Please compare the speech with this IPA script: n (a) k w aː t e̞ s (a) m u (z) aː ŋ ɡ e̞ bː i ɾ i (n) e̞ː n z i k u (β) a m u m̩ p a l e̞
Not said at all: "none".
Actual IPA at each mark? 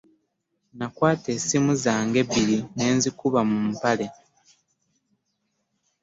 a, i, z, n, β

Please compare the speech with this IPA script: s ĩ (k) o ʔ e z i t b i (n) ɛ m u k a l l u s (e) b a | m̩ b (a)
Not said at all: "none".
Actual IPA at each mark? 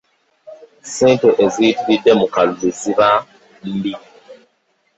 t, d, i, i

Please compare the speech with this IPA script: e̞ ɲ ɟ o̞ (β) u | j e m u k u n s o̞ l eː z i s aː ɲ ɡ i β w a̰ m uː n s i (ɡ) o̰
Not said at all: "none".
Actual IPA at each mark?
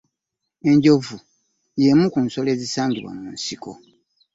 v, k

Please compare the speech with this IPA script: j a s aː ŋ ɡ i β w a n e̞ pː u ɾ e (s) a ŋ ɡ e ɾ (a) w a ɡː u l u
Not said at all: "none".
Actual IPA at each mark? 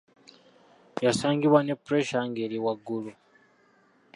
ʃ, i

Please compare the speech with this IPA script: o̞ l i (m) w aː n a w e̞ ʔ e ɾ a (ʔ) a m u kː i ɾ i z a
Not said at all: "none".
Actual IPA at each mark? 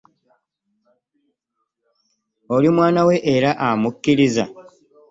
m, ʔ

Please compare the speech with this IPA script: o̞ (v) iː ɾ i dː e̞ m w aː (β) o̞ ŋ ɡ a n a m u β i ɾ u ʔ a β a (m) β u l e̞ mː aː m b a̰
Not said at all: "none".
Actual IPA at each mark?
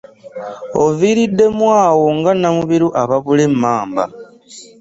v, w, none

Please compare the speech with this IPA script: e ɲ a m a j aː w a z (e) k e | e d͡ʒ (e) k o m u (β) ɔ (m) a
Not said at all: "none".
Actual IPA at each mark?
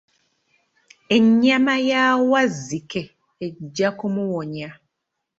i, a, w, ɲ

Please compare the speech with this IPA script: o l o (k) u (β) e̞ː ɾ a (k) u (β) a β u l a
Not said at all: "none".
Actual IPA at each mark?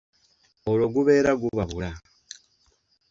ɡ, β, ɡ, β

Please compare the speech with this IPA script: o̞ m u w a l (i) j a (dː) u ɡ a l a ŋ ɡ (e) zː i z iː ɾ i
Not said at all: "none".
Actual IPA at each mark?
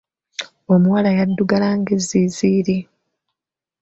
a, dː, e

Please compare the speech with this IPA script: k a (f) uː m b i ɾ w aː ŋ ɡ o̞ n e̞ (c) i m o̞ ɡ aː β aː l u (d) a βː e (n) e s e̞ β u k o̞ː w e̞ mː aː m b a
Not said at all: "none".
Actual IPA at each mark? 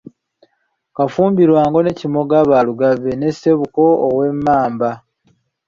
f, c, ɡ, n

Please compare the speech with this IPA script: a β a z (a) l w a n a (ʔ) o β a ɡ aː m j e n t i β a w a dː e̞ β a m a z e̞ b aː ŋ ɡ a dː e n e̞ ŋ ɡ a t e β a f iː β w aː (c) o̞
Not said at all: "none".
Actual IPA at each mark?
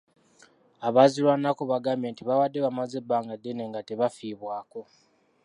i, k, k

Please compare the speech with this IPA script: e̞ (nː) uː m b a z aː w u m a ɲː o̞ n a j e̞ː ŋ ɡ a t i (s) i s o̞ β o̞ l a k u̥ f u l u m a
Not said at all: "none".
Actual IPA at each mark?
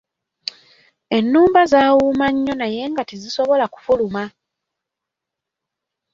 nː, z

